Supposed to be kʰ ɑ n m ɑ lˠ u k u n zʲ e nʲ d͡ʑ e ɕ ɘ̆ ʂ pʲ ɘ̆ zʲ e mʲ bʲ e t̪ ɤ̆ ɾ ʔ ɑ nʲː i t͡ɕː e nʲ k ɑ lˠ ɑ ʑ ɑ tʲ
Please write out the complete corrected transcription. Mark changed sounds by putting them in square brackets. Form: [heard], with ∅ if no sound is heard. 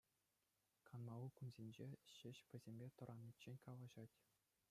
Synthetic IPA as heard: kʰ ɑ n m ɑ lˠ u k u n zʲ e nʲ d͡ʑ e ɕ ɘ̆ [ɕ] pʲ ɘ̆ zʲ e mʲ bʲ e t̪ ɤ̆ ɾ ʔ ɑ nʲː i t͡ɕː e nʲ k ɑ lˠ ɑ ʑ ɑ tʲ